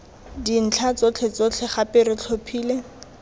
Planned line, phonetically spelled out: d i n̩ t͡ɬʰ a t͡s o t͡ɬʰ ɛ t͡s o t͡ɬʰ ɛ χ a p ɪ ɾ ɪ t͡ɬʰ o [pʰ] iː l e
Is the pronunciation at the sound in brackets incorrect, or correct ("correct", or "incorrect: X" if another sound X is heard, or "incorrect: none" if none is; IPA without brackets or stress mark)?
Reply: correct